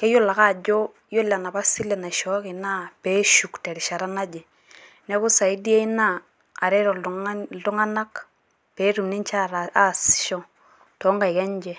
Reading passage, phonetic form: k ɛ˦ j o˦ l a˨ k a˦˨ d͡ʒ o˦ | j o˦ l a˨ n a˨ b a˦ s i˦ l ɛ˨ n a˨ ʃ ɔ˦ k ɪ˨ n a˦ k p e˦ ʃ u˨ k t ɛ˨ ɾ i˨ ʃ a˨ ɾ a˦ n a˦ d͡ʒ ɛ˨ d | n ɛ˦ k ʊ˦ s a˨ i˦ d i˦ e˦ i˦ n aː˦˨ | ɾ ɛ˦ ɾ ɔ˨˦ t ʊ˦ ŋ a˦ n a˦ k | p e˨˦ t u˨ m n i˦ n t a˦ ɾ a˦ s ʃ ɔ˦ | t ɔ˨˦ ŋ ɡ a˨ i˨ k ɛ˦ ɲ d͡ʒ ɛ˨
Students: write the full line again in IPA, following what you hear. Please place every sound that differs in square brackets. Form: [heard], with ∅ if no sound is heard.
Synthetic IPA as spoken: k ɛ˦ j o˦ l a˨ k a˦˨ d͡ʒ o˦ | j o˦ l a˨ n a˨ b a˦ s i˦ l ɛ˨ n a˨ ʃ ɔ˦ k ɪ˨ n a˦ [∅] p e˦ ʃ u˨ k t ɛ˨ ɾ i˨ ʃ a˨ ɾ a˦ n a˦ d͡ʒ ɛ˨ [∅] | n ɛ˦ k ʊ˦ s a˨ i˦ d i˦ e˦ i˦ n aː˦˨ | ɾ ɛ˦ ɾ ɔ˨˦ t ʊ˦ ŋ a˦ n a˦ k | p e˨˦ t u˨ m n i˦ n [t͡ʃ] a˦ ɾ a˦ s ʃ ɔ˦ | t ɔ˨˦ ŋ ɡ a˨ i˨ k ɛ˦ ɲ d͡ʒ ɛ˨